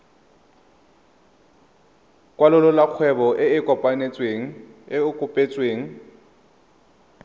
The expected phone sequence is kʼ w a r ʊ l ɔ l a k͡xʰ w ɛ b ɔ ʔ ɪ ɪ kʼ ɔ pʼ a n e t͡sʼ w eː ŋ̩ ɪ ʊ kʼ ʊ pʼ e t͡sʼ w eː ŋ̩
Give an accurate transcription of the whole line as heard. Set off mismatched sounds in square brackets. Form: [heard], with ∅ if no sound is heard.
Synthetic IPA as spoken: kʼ w a [l] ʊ l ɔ l a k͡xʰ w ɛ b ɔ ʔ ɪ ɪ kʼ ɔ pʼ a n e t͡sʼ w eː ŋ̩ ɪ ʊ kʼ ʊ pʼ e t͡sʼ w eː ŋ̩